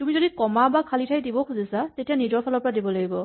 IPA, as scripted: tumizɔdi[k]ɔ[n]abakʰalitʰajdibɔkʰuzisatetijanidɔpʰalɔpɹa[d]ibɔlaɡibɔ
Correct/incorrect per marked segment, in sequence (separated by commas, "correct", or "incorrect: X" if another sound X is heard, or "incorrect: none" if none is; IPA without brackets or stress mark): correct, incorrect: m, correct